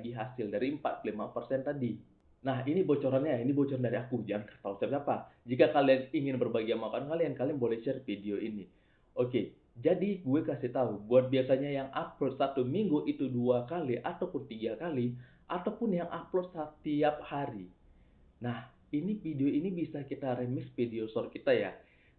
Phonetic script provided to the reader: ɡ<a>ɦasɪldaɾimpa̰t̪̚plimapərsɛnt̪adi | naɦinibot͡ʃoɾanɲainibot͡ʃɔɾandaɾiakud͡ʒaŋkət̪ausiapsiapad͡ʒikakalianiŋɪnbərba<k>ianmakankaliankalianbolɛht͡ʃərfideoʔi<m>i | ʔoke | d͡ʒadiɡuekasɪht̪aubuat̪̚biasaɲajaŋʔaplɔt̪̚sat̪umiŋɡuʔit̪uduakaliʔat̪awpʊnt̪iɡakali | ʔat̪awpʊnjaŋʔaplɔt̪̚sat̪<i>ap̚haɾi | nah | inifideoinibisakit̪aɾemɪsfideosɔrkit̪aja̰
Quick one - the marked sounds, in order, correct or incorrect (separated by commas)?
incorrect, incorrect, incorrect, correct